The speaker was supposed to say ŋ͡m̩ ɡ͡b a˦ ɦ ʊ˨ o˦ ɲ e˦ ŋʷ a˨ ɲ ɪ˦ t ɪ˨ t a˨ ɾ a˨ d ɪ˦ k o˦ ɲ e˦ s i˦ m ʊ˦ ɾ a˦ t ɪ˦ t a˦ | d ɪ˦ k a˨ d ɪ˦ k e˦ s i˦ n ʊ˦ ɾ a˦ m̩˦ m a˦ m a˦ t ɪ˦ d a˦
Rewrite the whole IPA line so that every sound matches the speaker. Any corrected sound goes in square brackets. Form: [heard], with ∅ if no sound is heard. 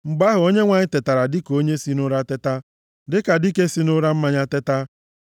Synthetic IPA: ŋ͡m̩ ɡ͡b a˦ ɦ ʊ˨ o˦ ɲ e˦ ŋʷ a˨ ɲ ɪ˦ t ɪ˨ t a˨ ɾ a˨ d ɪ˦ k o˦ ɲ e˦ s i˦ [n] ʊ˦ ɾ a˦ t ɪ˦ t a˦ | d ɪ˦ k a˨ d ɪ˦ k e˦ s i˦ n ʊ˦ ɾ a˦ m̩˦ m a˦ [ɲ] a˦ t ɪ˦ [t] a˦